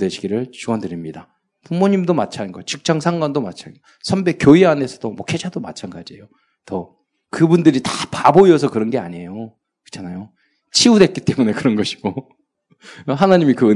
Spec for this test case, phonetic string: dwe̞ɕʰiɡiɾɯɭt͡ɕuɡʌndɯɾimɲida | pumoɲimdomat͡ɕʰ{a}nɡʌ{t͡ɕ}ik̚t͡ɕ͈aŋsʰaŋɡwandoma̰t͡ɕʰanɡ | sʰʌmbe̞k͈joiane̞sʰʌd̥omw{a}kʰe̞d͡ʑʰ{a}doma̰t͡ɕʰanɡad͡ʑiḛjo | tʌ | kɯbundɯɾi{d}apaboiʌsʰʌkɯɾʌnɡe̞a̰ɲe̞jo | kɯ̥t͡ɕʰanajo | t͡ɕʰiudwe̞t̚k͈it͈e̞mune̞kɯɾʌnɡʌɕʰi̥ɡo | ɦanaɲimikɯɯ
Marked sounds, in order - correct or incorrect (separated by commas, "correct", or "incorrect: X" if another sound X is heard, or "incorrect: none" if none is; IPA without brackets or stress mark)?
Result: correct, correct, incorrect: ʌ, correct, incorrect: t